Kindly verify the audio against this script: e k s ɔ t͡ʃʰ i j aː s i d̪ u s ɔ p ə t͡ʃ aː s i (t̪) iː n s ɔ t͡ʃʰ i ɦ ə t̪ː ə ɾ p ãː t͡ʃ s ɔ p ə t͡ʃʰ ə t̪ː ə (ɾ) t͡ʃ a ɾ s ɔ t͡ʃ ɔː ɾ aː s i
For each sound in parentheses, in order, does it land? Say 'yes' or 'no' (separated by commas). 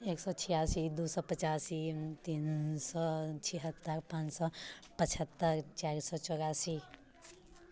yes, yes